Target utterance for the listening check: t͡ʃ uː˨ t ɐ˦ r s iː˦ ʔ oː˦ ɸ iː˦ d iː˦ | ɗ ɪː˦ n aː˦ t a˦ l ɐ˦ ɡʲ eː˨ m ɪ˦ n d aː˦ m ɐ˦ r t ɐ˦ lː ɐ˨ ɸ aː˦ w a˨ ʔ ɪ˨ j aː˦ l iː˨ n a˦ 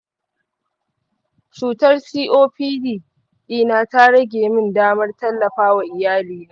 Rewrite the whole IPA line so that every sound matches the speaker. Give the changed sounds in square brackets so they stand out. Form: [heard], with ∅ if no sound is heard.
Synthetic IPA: t͡ʃ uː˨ t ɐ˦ r s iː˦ ʔ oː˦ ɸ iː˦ d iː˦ | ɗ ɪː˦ n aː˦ t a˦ [ɽ] ɐ˦ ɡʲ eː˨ m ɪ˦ n d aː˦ m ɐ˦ r t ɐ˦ lː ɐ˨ ɸ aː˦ w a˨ ʔ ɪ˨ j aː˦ l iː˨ n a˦